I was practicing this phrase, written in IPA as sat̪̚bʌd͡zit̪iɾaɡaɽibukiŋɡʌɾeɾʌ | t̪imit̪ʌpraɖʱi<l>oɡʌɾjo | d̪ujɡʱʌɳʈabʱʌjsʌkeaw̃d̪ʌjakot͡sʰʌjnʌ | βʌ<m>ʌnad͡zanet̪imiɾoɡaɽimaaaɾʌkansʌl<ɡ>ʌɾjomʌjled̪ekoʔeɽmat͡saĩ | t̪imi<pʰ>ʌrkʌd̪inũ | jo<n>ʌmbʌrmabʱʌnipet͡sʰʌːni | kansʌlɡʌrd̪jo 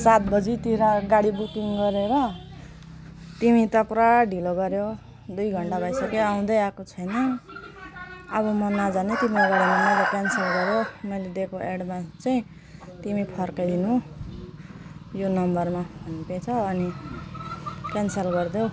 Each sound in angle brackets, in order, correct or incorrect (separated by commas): correct, correct, correct, correct, correct